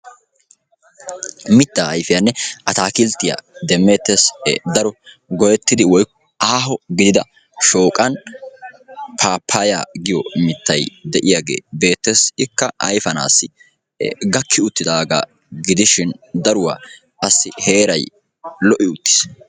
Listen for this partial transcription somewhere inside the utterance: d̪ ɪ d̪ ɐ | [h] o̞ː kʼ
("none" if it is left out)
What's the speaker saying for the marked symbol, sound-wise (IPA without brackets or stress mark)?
ʃ